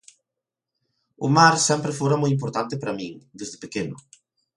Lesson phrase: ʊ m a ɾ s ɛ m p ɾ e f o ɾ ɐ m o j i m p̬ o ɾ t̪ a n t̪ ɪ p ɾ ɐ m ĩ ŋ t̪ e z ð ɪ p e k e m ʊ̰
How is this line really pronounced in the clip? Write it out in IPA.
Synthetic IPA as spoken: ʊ m a ɾ s ɛ m p ɾ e f o ɾ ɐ m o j i m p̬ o ɾ t̪ a n t̪ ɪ p ɾ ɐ m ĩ ŋ d̪ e z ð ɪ p e k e n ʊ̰